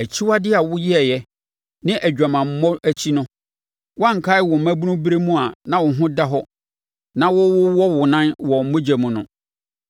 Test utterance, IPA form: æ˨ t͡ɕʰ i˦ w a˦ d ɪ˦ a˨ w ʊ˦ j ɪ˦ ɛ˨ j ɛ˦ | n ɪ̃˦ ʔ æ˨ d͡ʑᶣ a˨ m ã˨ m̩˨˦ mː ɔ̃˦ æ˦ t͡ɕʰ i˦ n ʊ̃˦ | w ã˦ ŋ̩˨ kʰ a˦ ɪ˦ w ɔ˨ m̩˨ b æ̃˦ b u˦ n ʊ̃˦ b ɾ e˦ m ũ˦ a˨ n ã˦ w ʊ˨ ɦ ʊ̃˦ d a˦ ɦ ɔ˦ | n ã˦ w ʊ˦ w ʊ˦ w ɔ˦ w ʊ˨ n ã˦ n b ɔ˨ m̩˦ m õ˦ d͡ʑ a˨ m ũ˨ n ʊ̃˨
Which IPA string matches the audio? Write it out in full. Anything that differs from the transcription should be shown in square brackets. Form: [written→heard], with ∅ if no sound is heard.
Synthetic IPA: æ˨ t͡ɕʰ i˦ w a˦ d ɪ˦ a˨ w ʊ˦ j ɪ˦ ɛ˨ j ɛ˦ | n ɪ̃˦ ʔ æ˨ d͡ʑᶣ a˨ m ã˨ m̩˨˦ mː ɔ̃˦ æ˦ t͡ɕʰ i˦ n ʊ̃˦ | w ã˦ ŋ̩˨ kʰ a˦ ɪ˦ w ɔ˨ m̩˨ [b→m] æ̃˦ b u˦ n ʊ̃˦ b ɾ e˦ m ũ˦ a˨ n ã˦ w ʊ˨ ɦ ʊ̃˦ d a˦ ɦ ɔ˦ | n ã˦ w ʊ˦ w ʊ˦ w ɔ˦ w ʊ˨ n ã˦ n [b→w] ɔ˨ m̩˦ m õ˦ d͡ʑ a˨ m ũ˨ n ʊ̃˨